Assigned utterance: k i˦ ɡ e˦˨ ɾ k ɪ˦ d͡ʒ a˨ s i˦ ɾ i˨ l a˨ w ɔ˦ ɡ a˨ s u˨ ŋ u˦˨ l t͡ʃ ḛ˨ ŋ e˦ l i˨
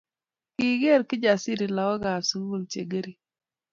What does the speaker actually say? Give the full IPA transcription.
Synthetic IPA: k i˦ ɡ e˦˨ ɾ k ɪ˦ d͡ʒ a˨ s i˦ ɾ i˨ l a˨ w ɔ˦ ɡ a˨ s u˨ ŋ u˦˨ l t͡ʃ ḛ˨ ɡ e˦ ɾ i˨